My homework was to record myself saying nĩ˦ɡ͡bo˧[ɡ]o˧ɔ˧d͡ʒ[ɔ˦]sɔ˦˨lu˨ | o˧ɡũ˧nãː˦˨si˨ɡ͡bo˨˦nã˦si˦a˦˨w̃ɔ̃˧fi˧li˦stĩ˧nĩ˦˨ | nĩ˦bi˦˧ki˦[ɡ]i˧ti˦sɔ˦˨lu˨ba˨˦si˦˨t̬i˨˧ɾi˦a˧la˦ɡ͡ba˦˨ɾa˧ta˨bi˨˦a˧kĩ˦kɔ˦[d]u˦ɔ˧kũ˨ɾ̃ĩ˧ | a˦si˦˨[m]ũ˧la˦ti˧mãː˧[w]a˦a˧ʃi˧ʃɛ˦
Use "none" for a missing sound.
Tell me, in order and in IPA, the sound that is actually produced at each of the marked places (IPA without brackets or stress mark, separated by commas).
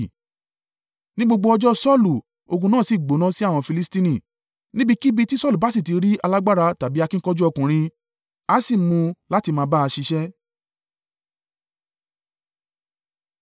ɡ͡b, ɔ˦, b, d͡ʒ, m, b